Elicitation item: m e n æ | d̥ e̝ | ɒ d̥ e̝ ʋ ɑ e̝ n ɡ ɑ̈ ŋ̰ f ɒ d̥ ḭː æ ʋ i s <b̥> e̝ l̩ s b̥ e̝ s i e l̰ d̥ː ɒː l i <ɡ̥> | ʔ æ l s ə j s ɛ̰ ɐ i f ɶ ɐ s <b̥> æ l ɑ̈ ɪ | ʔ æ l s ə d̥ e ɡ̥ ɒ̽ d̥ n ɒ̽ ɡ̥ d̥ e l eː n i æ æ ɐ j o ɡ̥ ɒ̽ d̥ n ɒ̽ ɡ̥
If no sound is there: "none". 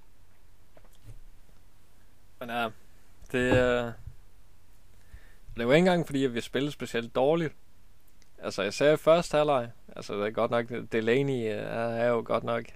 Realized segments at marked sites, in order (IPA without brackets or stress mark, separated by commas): b̥, d̥, d̥